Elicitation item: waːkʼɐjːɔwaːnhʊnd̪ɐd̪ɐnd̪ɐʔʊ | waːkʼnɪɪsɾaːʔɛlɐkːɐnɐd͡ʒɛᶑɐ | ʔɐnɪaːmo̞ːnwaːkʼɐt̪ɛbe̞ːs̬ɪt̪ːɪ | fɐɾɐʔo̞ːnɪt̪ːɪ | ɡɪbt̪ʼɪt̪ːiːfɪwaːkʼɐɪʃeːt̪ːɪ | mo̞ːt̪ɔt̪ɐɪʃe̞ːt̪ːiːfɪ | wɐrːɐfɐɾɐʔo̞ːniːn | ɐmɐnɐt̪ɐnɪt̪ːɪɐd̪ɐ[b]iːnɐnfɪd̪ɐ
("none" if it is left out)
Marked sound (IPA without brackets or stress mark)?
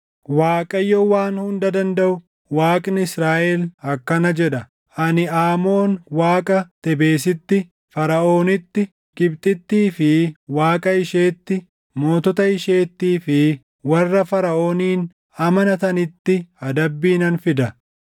bː